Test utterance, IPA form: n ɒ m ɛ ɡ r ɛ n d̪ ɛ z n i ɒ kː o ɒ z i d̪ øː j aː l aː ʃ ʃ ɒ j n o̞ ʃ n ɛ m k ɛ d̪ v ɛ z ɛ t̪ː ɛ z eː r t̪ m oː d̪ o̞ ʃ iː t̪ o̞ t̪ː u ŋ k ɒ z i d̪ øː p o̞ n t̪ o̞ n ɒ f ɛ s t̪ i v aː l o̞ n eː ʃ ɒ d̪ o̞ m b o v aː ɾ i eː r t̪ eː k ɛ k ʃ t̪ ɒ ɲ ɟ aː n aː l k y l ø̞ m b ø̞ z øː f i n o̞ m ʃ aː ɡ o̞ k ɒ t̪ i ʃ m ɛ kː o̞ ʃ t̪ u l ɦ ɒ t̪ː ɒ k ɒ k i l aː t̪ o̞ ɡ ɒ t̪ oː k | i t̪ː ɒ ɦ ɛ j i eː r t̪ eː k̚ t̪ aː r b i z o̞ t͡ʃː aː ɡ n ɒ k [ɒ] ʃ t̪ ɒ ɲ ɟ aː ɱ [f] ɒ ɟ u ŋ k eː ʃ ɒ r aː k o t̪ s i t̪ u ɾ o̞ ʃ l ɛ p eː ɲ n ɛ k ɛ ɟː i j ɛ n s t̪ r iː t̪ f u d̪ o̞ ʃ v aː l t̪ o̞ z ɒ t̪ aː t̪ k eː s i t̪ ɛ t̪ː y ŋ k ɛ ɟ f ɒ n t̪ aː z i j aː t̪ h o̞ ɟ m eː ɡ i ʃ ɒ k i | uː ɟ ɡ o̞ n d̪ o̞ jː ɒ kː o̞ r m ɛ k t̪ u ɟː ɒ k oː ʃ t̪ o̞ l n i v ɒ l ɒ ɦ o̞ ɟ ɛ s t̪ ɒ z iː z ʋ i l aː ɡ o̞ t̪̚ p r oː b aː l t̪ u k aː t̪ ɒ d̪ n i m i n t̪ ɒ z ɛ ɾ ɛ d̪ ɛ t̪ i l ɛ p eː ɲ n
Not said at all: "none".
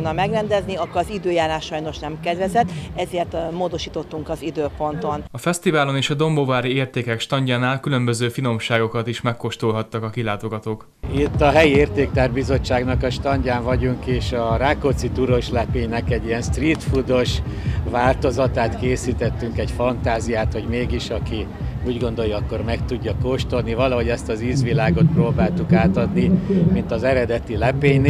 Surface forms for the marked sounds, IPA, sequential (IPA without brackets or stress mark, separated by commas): ɒ, v